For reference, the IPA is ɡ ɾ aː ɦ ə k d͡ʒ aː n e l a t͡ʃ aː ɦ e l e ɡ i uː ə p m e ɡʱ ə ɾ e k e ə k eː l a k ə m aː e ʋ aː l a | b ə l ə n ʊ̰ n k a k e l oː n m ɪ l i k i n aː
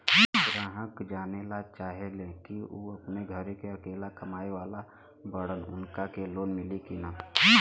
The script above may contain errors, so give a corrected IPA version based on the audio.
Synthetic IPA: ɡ ɾ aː ɦ ə k d͡ʒ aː n e l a t͡ʃ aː ɦ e l e k i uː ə p n e ɡʱ ə ɾ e k e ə k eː l a k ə m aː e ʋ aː l a | b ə ɽ ə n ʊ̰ n k a k e l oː n m ɪ l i k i n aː